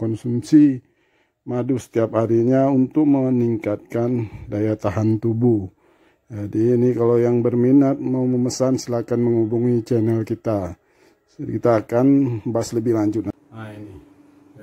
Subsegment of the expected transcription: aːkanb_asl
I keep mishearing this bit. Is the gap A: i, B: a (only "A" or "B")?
B